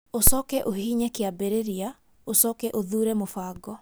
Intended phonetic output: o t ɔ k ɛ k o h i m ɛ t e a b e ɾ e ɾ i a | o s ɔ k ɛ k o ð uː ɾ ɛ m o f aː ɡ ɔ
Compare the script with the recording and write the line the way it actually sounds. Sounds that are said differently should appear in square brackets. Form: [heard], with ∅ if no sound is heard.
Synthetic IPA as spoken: o [s] ɔ k ɛ [ʔ] o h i [ɲ] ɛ [k] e a b e ɾ e ɾ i a | o s ɔ k ɛ [ʔ] o ð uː ɾ ɛ m o f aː ɡ ɔ